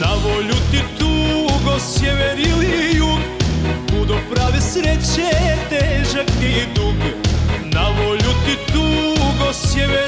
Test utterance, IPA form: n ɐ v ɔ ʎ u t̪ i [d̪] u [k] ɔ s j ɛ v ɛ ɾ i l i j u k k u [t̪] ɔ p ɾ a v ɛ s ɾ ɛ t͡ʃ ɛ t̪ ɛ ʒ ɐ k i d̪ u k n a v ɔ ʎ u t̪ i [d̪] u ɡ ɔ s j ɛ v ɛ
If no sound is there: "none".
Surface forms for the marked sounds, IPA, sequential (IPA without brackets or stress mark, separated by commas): t̪, ɡ, d̪, t̪